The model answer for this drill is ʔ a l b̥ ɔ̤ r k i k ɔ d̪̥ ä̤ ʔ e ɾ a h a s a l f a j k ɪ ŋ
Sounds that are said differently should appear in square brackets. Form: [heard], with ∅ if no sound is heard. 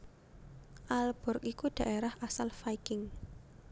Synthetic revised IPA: ʔ a l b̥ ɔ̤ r k i k [u] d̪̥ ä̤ ʔ e ɾ a h a s a l f a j k ɪ ŋ